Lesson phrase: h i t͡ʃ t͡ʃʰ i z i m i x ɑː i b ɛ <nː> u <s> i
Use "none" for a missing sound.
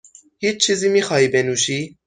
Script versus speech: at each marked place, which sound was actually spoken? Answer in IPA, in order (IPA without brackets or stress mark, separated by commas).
n, ʃ